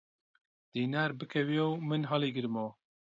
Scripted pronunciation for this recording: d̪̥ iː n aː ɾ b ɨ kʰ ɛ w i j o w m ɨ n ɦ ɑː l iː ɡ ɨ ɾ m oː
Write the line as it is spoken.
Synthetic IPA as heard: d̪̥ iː n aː ɾ b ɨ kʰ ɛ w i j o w m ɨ n ɦ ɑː l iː ɡ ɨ ɾ m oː